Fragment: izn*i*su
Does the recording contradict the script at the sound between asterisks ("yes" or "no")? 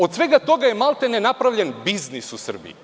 no